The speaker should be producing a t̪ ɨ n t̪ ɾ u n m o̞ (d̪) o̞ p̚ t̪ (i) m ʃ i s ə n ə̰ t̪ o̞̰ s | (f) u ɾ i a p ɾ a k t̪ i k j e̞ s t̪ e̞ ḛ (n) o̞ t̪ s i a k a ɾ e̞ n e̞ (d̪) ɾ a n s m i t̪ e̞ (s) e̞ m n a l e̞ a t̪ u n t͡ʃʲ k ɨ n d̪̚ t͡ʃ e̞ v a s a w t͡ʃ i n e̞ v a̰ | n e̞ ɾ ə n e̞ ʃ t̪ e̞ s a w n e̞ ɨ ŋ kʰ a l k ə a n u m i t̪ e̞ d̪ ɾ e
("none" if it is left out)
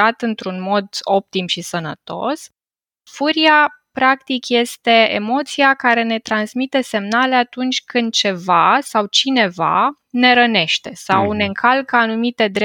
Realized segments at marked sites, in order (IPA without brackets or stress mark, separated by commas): d̪, i, f, m, t̪, s